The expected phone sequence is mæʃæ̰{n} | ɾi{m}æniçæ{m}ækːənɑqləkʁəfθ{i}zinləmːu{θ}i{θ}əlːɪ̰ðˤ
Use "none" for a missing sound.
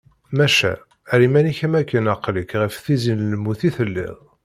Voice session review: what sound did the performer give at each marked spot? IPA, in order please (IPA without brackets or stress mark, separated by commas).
none, m, m, i, θ, θ